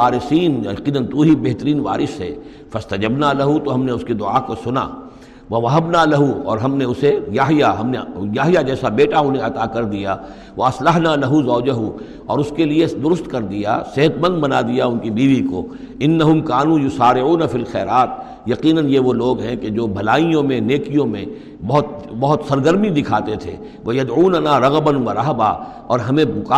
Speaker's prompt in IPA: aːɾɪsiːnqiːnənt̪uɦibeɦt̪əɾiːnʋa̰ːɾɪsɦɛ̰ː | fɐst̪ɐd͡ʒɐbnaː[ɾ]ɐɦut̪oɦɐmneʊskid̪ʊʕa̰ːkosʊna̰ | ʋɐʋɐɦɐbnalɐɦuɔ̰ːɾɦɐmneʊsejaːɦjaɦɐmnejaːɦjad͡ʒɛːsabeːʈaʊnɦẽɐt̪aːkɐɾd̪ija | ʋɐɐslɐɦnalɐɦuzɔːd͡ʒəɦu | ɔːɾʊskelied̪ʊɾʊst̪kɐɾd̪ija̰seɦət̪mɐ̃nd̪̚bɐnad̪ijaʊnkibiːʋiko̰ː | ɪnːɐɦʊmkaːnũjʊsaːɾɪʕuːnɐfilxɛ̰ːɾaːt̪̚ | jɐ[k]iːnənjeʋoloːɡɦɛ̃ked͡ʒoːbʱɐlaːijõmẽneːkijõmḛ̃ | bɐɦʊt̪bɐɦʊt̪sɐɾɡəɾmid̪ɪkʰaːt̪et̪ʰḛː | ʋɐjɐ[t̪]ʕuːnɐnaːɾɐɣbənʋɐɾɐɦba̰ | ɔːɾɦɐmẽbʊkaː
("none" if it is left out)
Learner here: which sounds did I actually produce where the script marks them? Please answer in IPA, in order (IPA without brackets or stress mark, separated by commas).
l, q, d̪